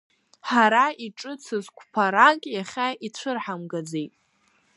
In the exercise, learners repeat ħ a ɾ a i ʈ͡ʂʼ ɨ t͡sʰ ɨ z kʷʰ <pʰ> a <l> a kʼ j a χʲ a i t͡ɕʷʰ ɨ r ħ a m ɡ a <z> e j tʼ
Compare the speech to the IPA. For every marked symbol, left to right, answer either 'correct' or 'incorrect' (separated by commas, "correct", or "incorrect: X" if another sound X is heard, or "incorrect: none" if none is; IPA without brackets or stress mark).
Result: correct, incorrect: ɾ, incorrect: d͡z